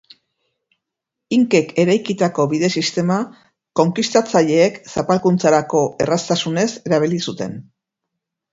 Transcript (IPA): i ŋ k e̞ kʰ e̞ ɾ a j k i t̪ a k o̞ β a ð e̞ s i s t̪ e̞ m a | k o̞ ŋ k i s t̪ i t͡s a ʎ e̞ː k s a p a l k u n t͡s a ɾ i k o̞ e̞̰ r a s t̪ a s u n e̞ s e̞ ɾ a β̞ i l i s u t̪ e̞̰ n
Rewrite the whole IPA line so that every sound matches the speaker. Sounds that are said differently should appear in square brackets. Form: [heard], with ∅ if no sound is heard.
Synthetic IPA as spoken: i ŋ k e̞ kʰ e̞ ɾ a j k i t̪ a k o̞ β [i] ð e̞ s i s t̪ e̞ m a | k o̞ ŋ k i s t̪ [a] t͡s a ʎ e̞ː k s a p a l k u n t͡s a ɾ [a] k o̞ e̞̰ r a s t̪ a s u n e̞ s e̞ ɾ a β̞ i l i s u t̪ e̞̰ n

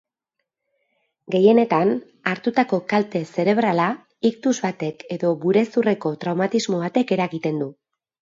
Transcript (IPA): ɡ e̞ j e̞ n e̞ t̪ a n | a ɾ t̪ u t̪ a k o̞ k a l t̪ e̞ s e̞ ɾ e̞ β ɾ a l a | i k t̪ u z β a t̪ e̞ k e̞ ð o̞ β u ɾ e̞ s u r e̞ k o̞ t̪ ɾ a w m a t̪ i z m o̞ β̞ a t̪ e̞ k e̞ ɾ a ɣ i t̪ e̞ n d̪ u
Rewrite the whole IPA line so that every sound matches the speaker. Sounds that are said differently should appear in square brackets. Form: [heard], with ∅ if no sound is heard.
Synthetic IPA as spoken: ɡ e̞ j e̞ n e̞ t̪ a n | a ɾ t̪ u t̪ a k o̞ k a l t̪ e̞ s e̞ ɾ e̞ β ɾ a l a | i k t̪ u z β a t̪ e̞ k e̞ ð o̞ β u ɾ e̞ s u r e̞ k o̞ t̪ ɾ a w m a t̪ i z m o̞ β̞ a t̪ e̞ k e̞ ɾ a ɣ i t̪ e̞ n d̪ u

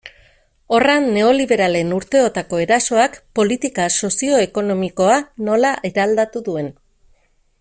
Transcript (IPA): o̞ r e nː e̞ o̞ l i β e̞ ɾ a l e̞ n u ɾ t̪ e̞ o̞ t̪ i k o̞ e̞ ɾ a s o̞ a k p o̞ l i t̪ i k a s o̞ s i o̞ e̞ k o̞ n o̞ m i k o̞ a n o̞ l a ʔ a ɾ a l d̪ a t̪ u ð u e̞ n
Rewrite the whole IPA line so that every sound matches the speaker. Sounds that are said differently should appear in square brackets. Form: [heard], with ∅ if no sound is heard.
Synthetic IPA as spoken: o̞ r [a] nː e̞ o̞ l i β e̞ ɾ a l e̞ n u ɾ t̪ e̞ o̞ t̪ [a] k o̞ e̞ ɾ a s o̞ a k p o̞ l i t̪ i k a s o̞ s i o̞ e̞ k o̞ n o̞ m i k o̞ a n o̞ l a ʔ [e] ɾ a l d̪ a t̪ u ð u e̞ n

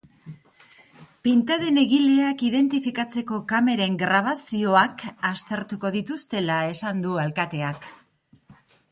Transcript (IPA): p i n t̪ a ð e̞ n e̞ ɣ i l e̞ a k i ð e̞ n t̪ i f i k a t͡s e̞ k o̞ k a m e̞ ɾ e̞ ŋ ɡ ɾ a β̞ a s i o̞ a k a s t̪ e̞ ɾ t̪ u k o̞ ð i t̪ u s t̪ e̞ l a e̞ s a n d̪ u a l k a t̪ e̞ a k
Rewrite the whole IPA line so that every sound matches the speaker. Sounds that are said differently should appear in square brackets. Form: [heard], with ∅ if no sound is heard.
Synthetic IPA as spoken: p i n t̪ a ð e̞ n e̞ ɣ i l e̞ a k i ð e̞ n t̪ i f i k a t͡s e̞ k o̞ k a m e̞ ɾ e̞ ŋ ɡ ɾ a β̞ a s i o̞ a k a s t̪ e̞ ɾ t̪ u k o̞ ð i t̪ u s t̪ e̞ l a e̞ s a n d̪ u a l k a t̪ e̞ a k

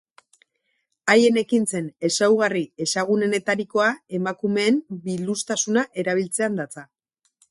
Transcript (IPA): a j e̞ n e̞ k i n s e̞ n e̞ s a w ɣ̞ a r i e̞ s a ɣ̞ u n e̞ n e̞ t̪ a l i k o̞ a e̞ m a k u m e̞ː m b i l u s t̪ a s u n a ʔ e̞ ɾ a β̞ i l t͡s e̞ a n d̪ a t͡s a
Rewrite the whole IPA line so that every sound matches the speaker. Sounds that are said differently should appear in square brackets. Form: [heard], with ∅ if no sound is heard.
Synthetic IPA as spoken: a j e̞ n e̞ k i n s e̞ n e̞ s a w ɣ̞ a r i e̞ s a ɣ̞ u n e̞ n e̞ t̪ a [ɾ] i k o̞ a e̞ m a k u m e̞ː m b i l u s t̪ a s u n a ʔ e̞ ɾ a β̞ i l t͡s e̞ a n d̪ a t͡s a

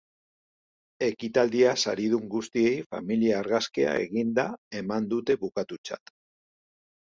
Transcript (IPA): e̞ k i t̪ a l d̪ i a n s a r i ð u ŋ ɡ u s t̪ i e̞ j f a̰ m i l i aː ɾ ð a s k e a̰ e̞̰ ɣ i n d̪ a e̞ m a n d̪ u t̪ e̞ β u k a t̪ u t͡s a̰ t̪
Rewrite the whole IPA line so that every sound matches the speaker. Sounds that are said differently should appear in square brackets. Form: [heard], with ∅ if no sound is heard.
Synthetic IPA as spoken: e̞ k i t̪ a l d̪ i a [∅] s a [ɾ] i ð u ŋ ɡ u s t̪ i e̞ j f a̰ m i l i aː ɾ [ɣ] a s k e a̰ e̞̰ ɣ i n d̪ a e̞ m a n d̪ u t̪ e̞ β u k a t̪ u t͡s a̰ t̪

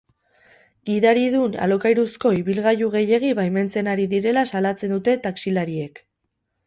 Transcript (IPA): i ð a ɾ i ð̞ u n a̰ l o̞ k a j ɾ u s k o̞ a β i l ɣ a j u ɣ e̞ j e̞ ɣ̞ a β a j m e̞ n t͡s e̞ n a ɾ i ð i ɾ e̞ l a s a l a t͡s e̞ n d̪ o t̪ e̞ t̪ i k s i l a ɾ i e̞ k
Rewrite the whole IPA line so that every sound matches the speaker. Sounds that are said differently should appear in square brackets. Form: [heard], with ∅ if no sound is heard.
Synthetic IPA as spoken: i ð a ɾ i ð̞ u n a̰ l o̞ k a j ɾ u s k o̞ [i] β i l ɣ a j u ɣ e̞ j e̞ ɣ̞ [i] β a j m e̞ n t͡s e̞ n a ɾ i ð i ɾ e̞ l a s a l a t͡s e̞ n d̪ [u] t̪ e̞ t̪ [a] k s i l a ɾ i e̞ k

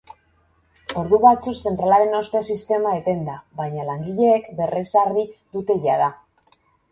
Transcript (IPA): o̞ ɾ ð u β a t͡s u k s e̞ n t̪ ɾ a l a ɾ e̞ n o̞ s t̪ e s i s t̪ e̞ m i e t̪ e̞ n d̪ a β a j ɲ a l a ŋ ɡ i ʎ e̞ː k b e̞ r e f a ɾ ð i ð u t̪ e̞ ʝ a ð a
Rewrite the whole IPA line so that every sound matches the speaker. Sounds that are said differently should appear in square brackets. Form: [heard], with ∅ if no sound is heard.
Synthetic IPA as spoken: o̞ ɾ ð u β a t͡s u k s e̞ n t̪ ɾ a l a ɾ e̞ n o̞ s t̪ e s i s t̪ e̞ m [a] e t̪ e̞ n d̪ a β a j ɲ a l a ŋ ɡ i ʎ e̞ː k b e̞ r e [s] a ɾ ð i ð u t̪ e̞ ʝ a ð a

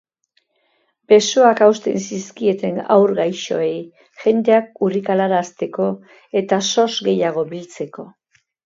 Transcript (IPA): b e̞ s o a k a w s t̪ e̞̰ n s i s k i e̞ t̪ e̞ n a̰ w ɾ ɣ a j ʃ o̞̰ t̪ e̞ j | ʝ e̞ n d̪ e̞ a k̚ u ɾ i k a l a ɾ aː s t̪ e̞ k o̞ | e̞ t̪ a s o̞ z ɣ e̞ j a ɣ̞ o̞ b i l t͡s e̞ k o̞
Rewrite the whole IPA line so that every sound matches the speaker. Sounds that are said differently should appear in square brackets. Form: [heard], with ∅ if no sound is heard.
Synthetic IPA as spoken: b e̞ s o a k a w s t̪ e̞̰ n s i s k i e̞ t̪ e̞ n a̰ w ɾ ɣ a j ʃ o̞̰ [∅] e̞ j | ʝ e̞ n d̪ e̞ a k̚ u [r] i k a l a ɾ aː s t̪ e̞ k o̞ | e̞ t̪ a s o̞ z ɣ e̞ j a ɣ̞ o̞ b i l t͡s e̞ k o̞

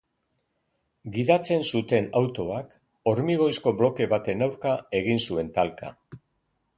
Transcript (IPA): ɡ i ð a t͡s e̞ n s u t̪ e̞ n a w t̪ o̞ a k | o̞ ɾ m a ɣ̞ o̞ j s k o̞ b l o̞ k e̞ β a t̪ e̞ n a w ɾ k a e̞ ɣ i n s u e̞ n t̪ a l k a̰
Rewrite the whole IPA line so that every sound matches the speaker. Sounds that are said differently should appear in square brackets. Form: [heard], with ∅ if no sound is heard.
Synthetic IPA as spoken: ɡ i ð a t͡s e̞ n s u t̪ e̞ n a w t̪ o̞ a k | o̞ ɾ m [i] ɣ̞ o̞ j s k o̞ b l o̞ k e̞ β a t̪ e̞ n a w ɾ k a e̞ ɣ i n s u e̞ n t̪ a l k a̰

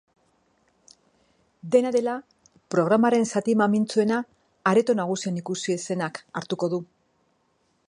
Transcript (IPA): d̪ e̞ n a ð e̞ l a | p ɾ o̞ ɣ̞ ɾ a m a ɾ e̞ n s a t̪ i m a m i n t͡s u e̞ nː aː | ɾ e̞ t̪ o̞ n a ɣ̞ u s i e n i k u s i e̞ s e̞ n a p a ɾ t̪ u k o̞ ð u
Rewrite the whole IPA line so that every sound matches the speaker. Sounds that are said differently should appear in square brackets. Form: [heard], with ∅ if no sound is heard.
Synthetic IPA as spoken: d̪ e̞ n a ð e̞ l a | p ɾ o̞ ɣ̞ ɾ a m a ɾ e̞ n s a t̪ i m a m i n t͡s u e̞ [n] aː | ɾ e̞ t̪ o̞ n a ɣ̞ u s i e n i k u s i e̞ s e̞ n a [k] a ɾ t̪ u k o̞ ð u

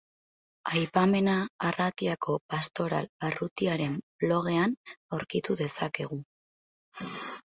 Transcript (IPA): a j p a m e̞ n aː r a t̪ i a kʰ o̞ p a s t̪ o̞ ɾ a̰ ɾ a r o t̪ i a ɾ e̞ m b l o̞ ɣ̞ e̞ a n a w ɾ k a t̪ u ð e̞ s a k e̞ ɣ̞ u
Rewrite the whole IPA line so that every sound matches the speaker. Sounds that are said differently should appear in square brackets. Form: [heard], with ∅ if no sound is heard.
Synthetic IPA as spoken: a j p a m e̞ n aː r a t̪ i a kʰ o̞ p a s t̪ o̞ ɾ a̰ [l] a r [u] t̪ i a ɾ e̞ m b l o̞ ɣ̞ e̞ a n a w ɾ k [i] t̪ u ð e̞ s a k e̞ ɣ̞ u

